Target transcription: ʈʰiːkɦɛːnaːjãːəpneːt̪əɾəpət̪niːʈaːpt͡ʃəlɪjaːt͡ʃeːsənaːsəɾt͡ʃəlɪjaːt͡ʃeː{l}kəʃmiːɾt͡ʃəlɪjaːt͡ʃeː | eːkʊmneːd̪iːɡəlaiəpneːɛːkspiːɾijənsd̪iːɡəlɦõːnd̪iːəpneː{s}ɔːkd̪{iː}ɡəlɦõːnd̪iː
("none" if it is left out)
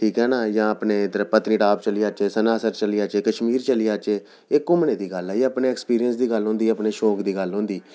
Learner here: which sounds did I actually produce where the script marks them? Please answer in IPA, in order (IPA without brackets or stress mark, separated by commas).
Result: none, ʃ, iː